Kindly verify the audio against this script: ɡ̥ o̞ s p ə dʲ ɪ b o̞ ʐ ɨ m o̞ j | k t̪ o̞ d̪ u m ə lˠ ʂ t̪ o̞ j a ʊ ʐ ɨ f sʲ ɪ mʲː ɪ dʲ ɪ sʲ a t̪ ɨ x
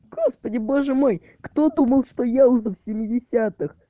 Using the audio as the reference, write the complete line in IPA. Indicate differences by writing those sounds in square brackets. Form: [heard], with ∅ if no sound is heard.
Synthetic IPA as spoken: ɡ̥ o̞ s p ə dʲ ɪ b o̞ ʐ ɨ m o̞ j | k t̪ o̞ d̪ u m ə lˠ ʂ t̪ o̞ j a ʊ [z] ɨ f sʲ ɪ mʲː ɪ dʲ ɪ sʲ a t̪ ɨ x